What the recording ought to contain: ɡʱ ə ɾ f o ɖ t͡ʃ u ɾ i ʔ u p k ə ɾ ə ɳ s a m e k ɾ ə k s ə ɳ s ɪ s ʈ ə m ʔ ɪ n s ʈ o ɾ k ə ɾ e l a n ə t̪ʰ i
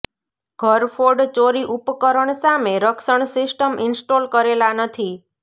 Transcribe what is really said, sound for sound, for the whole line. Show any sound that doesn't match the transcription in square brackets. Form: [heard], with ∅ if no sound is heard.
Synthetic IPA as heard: ɡʱ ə ɾ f o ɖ t͡ʃ [o] ɾ i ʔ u p k ə ɾ ə ɳ s a m e [∅] ɾ ə k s ə ɳ s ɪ s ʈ ə m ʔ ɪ n s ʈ o [l] k ə ɾ e l a n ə t̪ʰ i